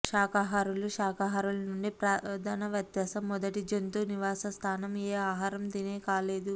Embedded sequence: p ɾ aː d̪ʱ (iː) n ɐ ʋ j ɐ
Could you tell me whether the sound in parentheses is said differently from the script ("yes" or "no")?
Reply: yes